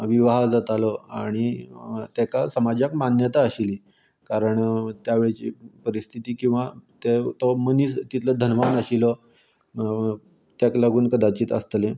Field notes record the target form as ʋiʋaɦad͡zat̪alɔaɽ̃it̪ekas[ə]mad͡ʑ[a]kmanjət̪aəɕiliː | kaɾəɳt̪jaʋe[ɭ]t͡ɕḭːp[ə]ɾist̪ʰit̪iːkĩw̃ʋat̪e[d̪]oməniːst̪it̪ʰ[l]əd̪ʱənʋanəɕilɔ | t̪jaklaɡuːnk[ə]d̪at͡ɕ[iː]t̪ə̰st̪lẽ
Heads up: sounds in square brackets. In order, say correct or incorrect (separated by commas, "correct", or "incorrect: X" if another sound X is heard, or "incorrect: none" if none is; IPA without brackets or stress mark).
correct, correct, correct, correct, incorrect: t̪, correct, correct, correct